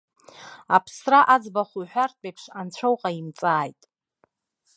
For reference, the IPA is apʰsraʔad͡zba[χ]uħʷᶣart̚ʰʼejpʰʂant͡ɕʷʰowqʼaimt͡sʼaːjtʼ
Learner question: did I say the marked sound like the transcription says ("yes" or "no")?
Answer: yes